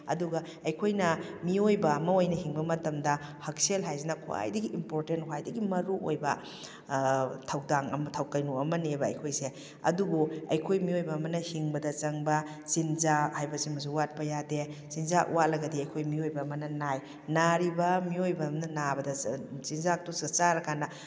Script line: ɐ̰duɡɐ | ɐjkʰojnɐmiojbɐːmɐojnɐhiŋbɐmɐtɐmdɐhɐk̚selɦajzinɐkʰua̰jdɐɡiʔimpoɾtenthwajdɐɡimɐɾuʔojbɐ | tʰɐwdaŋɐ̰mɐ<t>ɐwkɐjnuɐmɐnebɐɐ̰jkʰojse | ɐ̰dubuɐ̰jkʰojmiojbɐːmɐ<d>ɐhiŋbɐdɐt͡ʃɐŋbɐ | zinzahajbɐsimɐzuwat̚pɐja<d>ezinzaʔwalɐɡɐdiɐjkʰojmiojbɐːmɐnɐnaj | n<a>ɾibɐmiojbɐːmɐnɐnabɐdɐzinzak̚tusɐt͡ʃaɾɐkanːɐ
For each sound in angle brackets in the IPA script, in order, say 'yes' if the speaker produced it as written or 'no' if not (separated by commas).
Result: no, no, yes, yes